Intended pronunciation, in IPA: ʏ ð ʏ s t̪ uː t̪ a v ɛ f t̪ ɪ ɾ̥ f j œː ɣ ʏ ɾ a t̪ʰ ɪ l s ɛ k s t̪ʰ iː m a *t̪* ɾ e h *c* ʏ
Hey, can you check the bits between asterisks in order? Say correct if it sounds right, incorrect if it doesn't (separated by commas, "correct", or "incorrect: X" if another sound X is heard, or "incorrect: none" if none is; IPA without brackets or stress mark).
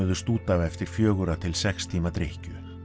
correct, correct